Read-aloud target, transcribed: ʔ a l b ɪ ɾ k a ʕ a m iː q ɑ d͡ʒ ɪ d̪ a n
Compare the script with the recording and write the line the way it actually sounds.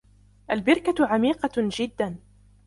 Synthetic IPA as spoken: ʔ a l b ɪ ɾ k a ʕ a m iː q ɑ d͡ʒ ɪ d̪ː a n